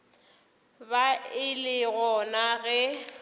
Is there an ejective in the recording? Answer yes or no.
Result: no